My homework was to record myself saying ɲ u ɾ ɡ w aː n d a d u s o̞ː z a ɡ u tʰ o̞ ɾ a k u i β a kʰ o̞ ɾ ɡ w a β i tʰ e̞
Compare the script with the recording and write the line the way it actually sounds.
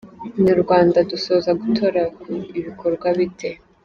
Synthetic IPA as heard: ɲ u ɾ ɡ w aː n d a d u s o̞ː z a ɡ u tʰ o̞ ɾ a k u i β i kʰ o̞ ɾ ɡ w a β i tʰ e̞